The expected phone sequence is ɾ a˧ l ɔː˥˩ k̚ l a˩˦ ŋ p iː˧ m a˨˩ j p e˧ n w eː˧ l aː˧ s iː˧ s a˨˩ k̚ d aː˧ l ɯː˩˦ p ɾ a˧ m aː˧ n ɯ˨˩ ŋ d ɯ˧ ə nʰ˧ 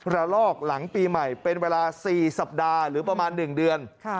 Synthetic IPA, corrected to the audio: ɾ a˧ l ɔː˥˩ k̚ l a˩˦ ŋ p iː˧ m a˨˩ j p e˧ n w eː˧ l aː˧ s iː˨˩ s a˨˩ p̚ d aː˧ ɾ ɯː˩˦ p ɾ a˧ m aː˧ nː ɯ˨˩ ŋ d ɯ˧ ə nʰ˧